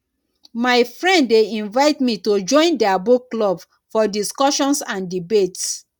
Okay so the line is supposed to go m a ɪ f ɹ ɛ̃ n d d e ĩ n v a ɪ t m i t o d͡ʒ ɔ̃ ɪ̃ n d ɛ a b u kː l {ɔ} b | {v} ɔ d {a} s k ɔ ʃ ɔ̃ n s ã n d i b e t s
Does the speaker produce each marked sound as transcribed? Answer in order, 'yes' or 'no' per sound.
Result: yes, no, no

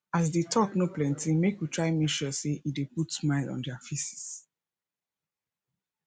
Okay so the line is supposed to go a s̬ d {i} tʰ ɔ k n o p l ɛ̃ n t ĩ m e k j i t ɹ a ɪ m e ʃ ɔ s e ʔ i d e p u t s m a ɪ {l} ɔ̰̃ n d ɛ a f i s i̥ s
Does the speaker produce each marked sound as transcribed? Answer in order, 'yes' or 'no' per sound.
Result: no, yes

